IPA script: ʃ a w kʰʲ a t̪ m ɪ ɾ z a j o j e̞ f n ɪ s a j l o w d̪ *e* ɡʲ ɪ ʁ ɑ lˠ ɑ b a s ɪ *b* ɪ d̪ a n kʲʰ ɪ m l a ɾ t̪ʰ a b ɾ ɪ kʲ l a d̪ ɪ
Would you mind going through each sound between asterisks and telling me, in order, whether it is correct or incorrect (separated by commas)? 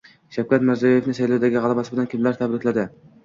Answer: incorrect, correct